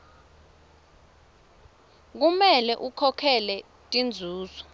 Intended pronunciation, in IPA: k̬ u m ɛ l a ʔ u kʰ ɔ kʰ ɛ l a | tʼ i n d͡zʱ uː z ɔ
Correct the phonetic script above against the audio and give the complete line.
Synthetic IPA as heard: k̬ u m ɛ l ɛ ʔ u kʰ ɔ kʰ ɛ l ɛ | tʼ i n d͡zʱ uː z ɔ